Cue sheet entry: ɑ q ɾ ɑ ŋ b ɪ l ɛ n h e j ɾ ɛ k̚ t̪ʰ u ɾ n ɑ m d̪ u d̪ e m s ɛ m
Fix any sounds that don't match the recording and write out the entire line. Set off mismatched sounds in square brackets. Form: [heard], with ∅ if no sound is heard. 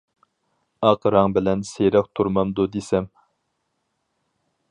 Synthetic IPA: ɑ q ɾ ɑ ŋ b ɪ l ɛ n [s] e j ɾ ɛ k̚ t̪ʰ u ɾ [m] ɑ m d̪ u d̪ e [∅] s ɛ m